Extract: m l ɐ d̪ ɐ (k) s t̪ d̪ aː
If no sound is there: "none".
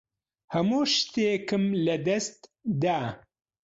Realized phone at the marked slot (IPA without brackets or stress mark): none